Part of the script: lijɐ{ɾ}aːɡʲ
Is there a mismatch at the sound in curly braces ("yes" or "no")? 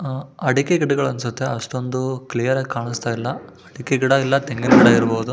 no